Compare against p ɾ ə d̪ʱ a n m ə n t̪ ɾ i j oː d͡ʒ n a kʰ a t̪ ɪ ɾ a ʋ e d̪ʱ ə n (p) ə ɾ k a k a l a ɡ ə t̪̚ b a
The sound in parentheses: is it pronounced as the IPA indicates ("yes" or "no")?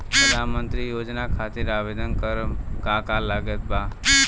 no